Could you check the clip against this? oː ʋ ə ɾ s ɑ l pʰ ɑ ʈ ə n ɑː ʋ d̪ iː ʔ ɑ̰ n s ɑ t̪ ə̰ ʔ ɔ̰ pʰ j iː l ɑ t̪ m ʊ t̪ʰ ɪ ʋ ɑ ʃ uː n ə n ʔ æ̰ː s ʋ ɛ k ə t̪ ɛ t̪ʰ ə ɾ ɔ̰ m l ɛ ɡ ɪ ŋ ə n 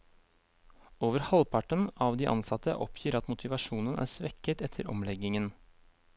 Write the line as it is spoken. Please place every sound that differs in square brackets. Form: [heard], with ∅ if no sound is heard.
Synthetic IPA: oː ʋ ə ɾ [h] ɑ l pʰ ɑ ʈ ə n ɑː ʋ d̪ iː ʔ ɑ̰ n s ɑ t̪ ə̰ ʔ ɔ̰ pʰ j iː [ɾ] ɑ t̪ m ʊ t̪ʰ ɪ ʋ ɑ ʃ uː n ə n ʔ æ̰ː s ʋ ɛ k ə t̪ ɛ t̪ʰ ə ɾ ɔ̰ m l ɛ ɡ ɪ ŋ ə n